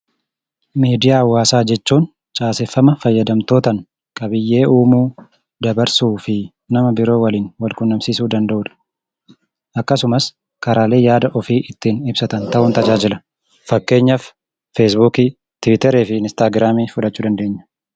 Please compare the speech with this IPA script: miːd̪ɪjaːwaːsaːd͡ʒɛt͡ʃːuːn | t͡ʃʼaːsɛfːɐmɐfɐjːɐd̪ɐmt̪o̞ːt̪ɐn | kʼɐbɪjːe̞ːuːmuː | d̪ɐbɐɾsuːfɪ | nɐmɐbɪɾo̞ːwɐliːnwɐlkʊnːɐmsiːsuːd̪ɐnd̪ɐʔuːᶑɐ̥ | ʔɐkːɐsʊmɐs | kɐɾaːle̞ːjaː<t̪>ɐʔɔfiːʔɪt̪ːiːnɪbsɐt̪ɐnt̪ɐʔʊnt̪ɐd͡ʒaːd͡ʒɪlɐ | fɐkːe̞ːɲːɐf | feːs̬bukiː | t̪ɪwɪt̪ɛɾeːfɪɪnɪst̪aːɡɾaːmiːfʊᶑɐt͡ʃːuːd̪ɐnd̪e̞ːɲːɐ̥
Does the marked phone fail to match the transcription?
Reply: yes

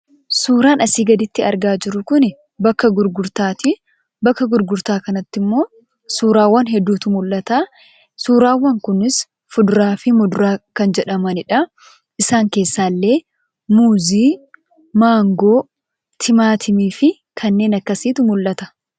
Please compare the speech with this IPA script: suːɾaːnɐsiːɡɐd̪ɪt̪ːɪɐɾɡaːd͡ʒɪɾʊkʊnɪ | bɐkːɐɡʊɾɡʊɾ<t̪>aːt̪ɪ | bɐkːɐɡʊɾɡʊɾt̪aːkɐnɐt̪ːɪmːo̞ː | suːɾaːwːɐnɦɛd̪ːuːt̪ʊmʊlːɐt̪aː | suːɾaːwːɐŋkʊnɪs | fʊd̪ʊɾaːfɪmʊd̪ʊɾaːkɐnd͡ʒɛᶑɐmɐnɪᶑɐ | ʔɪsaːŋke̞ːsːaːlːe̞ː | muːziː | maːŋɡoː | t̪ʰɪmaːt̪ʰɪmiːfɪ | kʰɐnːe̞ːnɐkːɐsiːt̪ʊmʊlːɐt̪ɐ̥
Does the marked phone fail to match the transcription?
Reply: no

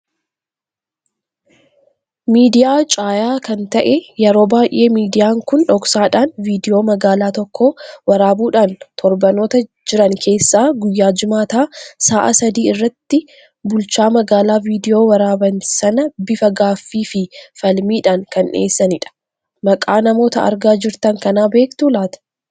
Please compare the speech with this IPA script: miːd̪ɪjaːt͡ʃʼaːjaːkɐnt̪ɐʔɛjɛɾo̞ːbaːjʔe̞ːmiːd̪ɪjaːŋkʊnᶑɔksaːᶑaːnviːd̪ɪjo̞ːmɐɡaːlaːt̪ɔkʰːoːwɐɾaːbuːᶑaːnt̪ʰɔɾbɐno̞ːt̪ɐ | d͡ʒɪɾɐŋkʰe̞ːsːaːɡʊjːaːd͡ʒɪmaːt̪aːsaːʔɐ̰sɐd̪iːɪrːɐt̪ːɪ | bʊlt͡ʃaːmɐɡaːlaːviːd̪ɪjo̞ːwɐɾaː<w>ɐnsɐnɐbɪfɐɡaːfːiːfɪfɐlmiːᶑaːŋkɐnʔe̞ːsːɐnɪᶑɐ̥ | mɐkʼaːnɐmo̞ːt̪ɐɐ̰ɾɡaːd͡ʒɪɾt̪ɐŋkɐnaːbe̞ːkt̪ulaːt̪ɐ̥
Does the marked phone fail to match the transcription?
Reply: yes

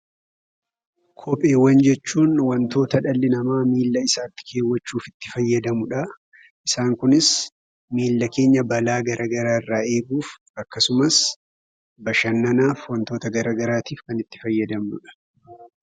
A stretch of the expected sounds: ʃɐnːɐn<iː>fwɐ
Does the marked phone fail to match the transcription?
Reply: yes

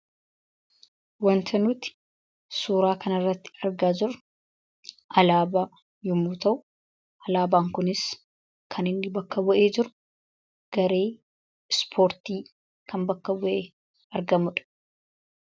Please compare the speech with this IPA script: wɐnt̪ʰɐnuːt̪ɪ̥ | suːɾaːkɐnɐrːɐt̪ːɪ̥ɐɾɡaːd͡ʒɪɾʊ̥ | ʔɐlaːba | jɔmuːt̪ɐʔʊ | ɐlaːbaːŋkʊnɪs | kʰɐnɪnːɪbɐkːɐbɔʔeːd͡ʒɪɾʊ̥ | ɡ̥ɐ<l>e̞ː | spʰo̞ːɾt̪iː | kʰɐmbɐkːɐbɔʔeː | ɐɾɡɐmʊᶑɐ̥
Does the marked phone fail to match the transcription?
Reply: yes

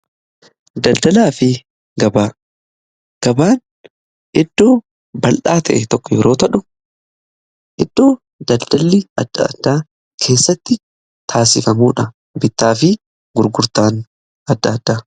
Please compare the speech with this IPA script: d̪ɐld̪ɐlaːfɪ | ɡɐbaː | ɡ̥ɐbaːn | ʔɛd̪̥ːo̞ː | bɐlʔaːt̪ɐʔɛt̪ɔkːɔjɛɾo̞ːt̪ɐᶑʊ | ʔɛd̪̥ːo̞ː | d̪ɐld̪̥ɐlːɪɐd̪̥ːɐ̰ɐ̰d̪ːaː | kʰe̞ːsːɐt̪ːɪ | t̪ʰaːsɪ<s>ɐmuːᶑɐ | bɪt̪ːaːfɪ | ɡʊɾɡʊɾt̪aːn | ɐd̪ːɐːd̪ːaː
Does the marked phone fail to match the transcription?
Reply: yes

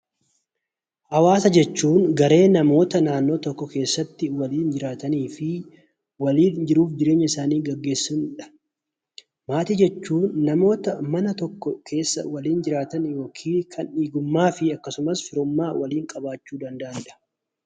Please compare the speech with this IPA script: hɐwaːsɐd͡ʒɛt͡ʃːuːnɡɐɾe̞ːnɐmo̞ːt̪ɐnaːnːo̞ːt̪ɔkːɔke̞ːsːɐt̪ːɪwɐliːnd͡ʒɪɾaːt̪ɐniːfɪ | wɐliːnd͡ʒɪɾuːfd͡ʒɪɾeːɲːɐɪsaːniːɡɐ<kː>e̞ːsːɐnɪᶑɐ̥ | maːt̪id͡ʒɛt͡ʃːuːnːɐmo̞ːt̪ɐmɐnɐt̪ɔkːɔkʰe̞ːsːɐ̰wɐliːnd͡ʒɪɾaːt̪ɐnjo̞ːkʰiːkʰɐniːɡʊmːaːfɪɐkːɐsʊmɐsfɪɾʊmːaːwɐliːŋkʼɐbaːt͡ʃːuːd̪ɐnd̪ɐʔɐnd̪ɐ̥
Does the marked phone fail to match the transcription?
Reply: yes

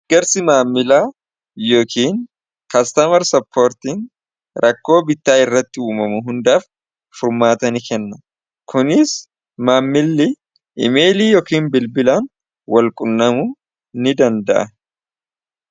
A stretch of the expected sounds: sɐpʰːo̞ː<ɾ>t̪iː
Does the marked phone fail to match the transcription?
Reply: no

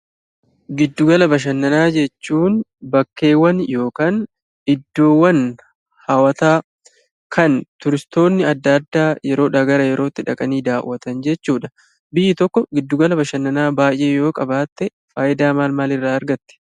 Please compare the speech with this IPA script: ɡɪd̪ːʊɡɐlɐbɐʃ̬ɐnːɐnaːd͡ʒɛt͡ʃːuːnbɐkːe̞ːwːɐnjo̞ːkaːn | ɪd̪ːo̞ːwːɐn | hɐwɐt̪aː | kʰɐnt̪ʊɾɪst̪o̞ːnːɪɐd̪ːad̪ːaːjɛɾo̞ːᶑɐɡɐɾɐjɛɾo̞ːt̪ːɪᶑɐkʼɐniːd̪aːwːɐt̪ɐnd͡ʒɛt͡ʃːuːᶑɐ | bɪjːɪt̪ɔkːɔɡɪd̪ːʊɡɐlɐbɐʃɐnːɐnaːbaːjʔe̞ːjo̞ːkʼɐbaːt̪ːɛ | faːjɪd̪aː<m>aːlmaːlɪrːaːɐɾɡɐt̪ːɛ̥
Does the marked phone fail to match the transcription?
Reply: no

